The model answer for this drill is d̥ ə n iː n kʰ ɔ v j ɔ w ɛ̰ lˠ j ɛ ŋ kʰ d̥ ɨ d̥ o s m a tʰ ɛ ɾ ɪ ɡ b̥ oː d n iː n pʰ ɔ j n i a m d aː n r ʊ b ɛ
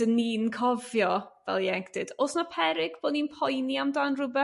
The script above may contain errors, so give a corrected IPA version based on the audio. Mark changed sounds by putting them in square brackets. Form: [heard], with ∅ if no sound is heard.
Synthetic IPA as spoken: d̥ ə n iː n kʰ ɔ v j ɔ [v] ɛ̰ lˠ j ɛ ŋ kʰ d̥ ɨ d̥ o s [n] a [pʰ] ɛ ɾ ɪ ɡ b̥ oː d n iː n pʰ ɔ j n i a m d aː n r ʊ b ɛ